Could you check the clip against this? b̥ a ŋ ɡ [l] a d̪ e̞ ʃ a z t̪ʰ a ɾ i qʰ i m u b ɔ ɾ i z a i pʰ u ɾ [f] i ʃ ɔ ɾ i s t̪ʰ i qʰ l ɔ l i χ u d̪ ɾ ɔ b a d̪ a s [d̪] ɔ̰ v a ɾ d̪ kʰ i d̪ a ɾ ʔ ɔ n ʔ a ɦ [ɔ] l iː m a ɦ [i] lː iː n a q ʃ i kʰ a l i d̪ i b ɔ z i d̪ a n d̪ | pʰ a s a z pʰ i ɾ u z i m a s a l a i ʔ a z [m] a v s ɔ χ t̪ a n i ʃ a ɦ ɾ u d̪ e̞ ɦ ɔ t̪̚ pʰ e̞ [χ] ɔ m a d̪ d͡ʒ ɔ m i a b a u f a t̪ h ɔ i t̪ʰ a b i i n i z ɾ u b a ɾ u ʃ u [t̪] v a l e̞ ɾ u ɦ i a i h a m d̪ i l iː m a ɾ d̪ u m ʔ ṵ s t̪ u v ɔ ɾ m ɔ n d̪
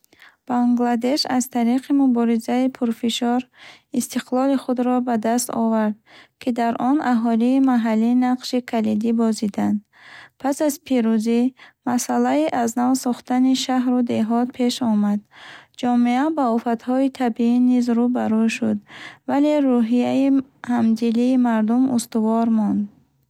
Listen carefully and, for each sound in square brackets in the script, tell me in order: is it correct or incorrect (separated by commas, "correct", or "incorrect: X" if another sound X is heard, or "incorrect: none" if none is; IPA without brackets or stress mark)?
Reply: correct, correct, incorrect: t̪, correct, incorrect: a, incorrect: n, incorrect: ʃ, incorrect: d̪